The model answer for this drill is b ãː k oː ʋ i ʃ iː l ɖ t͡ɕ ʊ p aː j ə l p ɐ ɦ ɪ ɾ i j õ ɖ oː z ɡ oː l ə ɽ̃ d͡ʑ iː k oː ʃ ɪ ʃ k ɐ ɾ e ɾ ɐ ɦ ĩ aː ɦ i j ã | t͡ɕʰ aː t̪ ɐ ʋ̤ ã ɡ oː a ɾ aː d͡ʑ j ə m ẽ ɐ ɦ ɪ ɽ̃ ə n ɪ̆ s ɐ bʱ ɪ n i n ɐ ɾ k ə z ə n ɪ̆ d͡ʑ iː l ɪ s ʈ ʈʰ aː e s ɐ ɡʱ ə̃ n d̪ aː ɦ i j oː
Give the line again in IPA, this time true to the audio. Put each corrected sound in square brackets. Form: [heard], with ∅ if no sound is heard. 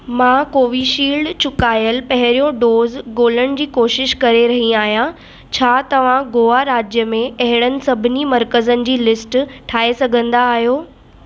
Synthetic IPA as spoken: [m] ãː k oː ʋ i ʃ iː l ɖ t͡ɕ ʊ [k] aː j ə l p ɐ ɦ ɪ ɾ i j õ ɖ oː z ɡ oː l ə ɽ̃ d͡ʑ iː k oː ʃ ɪ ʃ k ɐ ɾ e ɾ ɐ ɦ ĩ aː ɦ i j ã | t͡ɕʰ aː t̪ ɐ ʋ̤ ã ɡ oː a ɾ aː d͡ʑ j ə m ẽ ɐ ɦ ɪ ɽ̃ ə n ɪ̆ s ɐ bʱ ɪ n i [m] ɐ ɾ k ə z ə n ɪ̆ d͡ʑ iː l ɪ s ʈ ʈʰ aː e s ɐ ɡʱ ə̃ n d̪ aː ɦ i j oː